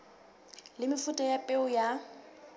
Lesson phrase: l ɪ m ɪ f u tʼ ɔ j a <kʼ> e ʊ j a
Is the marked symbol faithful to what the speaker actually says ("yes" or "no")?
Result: no